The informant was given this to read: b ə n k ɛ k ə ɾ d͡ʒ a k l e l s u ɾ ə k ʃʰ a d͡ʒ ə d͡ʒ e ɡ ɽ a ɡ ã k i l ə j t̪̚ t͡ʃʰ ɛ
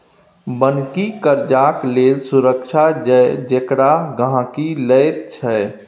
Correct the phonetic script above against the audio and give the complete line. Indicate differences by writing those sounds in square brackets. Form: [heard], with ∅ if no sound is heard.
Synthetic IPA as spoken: b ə n k [i] k ə ɾ d͡ʒ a k l e l s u ɾ ə k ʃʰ a d͡ʒ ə d͡ʒ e [k] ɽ a ɡ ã k i l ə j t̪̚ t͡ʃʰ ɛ